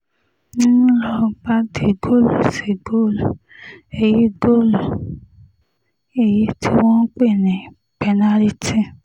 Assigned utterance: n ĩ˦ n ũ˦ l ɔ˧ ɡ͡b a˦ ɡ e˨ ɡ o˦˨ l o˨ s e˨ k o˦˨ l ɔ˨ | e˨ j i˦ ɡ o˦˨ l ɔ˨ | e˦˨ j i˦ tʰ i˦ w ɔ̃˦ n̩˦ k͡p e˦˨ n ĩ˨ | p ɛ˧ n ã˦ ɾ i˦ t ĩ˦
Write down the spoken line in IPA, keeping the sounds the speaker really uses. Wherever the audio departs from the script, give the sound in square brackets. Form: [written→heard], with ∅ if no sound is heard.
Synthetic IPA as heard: n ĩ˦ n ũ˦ l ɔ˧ ɡ͡b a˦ [ɡ→d] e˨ ɡ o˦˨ l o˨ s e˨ [k→ɡ] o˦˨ l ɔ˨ | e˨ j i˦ ɡ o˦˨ l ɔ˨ | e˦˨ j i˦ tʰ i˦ w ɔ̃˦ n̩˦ k͡p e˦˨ n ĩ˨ | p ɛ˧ n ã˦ ɾ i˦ t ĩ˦